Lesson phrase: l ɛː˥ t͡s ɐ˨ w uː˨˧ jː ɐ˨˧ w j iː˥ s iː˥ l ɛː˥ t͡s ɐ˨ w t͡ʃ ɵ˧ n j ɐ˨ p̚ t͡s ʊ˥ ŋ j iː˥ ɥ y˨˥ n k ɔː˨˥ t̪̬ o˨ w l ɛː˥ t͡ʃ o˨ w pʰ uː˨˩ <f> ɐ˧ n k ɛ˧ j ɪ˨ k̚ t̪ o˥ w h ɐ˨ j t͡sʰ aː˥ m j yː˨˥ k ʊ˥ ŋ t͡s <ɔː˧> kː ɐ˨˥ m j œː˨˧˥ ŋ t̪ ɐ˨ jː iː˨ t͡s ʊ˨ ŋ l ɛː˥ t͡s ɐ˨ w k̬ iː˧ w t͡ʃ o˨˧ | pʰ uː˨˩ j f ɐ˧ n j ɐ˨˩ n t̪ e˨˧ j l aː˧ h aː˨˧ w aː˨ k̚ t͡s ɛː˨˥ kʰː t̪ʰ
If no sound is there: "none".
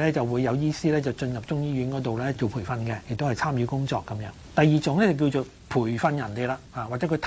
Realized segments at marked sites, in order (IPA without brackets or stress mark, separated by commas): f, ɔː˧